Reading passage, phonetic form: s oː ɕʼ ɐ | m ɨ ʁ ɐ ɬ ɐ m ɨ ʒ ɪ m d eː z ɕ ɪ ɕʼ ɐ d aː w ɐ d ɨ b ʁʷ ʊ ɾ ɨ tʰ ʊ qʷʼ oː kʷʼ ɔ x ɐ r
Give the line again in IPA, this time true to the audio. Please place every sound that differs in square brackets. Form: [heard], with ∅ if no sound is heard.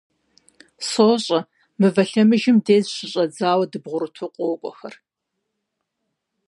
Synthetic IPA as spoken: s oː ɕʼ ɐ | m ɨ [v] ɐ ɬ ɐ m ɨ ʒ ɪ m d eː z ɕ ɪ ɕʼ ɐ [d͡z] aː w ɐ d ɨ b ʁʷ ʊ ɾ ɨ tʰ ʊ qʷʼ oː kʷʼ ɔ x ɐ r